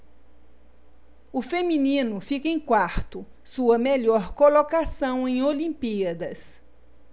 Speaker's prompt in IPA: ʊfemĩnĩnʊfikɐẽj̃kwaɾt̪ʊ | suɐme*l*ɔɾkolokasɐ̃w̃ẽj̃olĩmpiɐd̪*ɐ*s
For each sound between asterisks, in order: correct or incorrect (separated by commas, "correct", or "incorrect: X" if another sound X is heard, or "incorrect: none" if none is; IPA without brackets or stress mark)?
incorrect: ʎ, correct